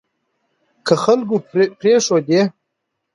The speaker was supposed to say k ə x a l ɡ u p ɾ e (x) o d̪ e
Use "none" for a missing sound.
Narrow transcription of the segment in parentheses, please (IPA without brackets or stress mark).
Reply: ʂ